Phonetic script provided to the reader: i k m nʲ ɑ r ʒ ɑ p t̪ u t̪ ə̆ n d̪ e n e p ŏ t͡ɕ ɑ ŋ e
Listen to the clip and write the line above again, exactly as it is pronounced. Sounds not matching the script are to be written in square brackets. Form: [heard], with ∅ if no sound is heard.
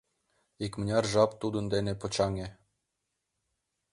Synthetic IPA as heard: i k m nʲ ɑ r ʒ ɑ p t̪ u [d̪] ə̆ n d̪ e n e p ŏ t͡ɕ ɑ ŋ e